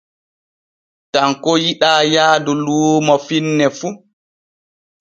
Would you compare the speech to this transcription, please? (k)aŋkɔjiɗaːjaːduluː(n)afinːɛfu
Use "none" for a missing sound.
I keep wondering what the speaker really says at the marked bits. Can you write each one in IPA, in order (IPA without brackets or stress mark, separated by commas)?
t, m